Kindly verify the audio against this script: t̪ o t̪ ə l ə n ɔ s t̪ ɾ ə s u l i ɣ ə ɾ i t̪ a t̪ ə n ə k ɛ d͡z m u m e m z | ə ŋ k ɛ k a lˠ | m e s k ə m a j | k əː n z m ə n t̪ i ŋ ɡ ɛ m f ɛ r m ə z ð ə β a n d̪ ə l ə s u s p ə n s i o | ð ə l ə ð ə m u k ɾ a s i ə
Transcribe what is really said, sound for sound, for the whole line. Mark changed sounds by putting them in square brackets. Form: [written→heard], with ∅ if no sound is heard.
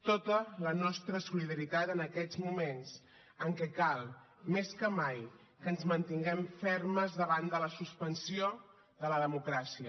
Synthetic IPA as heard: t̪ o t̪ ə l ə n ɔ s t̪ ɾ ə s u l i [ɣ→ð] ə ɾ i t̪ a t̪ ə n ə k ɛ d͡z m u m e [m→n] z | ə ŋ k ɛ k a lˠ | m e s k ə m a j | k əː n z m ə n t̪ i ŋ ɡ ɛ m f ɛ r m ə z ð ə β a n d̪ ə l ə s u s p ə n s i o | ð ə l ə ð ə m u k ɾ a s i ə